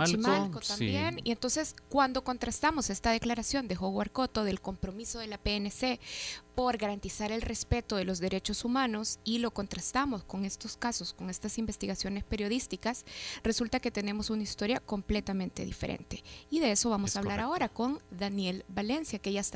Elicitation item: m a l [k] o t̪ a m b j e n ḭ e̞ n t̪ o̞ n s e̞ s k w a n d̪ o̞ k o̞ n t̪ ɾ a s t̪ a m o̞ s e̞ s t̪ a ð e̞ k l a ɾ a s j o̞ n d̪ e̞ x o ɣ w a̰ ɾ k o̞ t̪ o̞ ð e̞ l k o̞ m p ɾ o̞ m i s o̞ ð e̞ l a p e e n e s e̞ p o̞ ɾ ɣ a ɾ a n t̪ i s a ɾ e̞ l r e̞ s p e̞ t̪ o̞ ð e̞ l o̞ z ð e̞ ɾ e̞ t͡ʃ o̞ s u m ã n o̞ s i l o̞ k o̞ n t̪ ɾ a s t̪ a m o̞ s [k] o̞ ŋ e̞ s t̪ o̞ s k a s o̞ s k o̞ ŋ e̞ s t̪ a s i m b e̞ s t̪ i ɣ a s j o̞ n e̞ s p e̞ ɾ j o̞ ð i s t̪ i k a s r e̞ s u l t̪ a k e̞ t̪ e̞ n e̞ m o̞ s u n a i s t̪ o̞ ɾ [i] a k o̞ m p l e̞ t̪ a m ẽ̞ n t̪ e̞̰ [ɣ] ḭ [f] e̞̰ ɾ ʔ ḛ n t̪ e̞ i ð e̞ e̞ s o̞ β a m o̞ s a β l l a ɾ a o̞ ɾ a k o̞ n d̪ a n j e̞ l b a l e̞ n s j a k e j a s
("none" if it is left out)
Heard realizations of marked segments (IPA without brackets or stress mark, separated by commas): k, k, j, ð, f